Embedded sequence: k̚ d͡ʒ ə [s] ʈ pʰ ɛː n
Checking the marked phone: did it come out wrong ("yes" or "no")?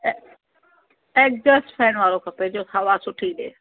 no